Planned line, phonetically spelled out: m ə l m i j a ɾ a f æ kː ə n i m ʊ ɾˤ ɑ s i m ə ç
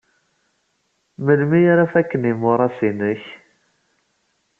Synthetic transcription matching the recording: m ə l m i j a ɾ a f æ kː ə n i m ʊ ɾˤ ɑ s i n ə ç

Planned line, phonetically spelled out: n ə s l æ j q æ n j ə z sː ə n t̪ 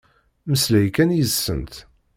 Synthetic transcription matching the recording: m ə s l æ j k æ n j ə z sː ə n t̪

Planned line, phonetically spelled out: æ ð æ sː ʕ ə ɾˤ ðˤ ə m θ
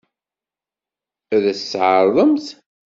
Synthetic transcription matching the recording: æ ð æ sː ʕ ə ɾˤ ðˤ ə m θ

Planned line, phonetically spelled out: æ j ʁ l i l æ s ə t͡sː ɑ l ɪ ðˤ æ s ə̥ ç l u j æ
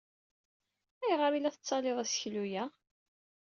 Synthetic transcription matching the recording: æ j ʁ ɾ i l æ θ ə t͡sː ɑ l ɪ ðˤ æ s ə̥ ç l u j æ

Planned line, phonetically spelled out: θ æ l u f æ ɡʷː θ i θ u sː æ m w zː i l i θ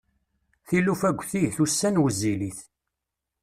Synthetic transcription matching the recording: θ i l u f æ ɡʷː θ i θ u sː æ n w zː i l i θ

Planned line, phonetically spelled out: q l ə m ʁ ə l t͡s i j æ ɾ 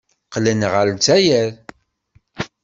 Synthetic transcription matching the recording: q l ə n ʁ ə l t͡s æ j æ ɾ

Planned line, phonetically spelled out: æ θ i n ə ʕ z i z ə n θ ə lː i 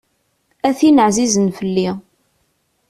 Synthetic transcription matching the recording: æ θ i n ə ʕ z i z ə n f ə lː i

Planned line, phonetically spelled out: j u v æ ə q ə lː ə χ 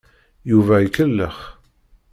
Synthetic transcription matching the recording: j u v æ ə k ə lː ə χ

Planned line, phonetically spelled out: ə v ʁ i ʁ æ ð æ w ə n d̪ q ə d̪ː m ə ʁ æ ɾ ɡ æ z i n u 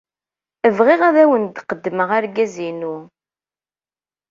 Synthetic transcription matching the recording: ə v ʁ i ʁ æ ð æ w ə n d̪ q ə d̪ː m ə ʁ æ ɾ ɡ æ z i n u

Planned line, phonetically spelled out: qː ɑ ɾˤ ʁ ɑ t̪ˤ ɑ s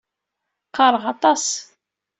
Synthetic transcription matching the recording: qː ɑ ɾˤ ʁ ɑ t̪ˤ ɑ s

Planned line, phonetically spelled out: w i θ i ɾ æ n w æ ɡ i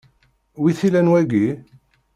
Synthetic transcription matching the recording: w i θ i l æ n w æ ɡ i

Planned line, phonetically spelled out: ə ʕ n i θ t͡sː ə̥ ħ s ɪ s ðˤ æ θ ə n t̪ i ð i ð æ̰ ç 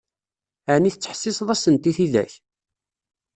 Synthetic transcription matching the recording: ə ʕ n i θ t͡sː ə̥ ħ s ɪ s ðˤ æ s ə n t̪ i θ i ð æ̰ ç

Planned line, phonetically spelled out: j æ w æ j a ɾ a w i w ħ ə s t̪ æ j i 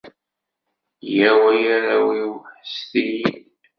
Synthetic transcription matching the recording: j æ w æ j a ɾ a w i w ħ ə s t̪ i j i

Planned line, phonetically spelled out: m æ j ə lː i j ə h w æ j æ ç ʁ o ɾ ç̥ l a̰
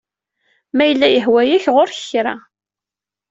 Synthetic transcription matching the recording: m æ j ə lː æ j ə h w æ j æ ç ʁ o ɾ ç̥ ɾ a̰

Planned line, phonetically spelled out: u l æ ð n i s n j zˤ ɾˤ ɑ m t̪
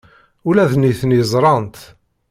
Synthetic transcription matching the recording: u l æ ð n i θ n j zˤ ɾˤ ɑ n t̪

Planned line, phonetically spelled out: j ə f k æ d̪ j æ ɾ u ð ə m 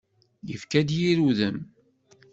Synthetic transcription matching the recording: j ə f k æ d̪ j i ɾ u ð ə m

